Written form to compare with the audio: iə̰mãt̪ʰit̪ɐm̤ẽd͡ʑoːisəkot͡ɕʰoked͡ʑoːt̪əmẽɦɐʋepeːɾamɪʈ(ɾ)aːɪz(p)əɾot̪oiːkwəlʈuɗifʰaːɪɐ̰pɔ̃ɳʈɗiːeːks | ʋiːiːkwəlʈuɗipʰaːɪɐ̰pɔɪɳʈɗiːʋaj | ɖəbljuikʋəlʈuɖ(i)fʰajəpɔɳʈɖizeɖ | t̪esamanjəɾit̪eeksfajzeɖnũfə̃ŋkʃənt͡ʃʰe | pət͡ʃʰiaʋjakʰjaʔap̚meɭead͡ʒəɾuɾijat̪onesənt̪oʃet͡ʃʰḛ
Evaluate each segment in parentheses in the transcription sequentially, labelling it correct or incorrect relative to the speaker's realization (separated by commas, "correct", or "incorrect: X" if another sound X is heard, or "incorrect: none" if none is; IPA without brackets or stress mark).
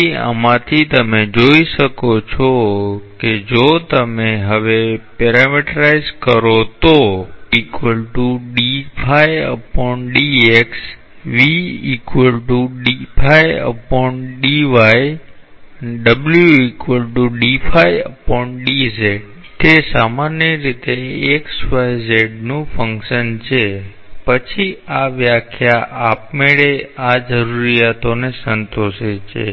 correct, incorrect: k, correct